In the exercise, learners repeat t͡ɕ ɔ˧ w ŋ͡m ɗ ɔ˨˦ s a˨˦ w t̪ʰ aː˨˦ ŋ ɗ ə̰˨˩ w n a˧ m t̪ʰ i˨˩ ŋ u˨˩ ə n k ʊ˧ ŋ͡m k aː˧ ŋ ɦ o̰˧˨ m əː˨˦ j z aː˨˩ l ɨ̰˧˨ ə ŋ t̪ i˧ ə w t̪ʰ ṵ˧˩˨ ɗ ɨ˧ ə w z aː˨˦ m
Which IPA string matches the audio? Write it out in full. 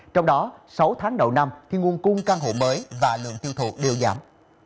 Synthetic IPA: t͡ɕ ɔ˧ w ŋ͡m ɗ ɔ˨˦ s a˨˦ w t̪ʰ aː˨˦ ŋ ɗ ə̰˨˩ w n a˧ m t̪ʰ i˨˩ ŋ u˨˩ ə n k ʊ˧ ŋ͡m k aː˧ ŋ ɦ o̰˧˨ m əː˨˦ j v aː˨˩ l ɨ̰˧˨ ə ŋ t̪ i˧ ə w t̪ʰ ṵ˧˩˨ ɗ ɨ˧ ə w z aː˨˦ m